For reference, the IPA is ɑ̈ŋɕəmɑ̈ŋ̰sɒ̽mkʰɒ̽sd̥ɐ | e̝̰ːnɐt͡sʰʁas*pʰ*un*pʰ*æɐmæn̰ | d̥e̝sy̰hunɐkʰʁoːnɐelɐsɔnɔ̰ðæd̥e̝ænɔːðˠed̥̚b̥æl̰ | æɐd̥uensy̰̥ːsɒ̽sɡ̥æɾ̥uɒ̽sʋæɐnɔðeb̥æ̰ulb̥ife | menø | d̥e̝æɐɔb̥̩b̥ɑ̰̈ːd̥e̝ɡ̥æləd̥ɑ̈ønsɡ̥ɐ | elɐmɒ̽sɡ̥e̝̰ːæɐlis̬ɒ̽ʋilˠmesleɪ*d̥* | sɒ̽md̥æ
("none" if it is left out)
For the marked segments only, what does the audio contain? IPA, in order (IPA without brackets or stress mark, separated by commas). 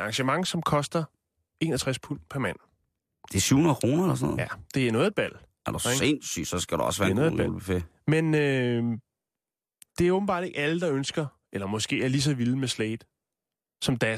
pʰ, pʰ, d̥